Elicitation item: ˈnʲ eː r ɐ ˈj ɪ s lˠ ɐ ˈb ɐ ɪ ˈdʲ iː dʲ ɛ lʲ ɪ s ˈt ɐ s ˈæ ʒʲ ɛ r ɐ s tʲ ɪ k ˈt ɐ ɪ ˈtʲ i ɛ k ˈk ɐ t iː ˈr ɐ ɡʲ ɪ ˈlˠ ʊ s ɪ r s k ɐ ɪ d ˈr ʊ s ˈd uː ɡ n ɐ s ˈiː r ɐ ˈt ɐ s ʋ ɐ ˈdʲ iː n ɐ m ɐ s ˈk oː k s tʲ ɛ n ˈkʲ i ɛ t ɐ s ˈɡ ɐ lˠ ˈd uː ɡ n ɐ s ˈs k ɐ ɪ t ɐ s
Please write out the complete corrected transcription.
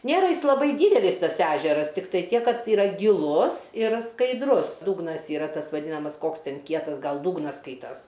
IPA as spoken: ˈnʲ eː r ɐ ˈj ɪ s lˠ ɐ ˈb ɐ ɪ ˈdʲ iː dʲ ɛ lʲ ɪ s ˈt ɐ s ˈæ ʒʲ ɛ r ɐ s tʲ ɪ k ˈt ɐ ɪ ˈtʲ i ɛ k ˈk ɐ t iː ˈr ɐ ɡʲ ɪ ˈlˠ ʊ s ɪ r s k ɐ ɪ d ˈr ʊ s ˈd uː ɡ n ɐ s ˈiː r ɐ ˈt ɐ s ʋ ɐ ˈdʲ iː n ɐ m ɐ s ˈk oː k s tʲ ɛ n ˈkʲ i ɛ t ɐ s ˈɡ ɐ lˠ ˈd uː ɡ n ɐ s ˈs k ɐ ɪ t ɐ s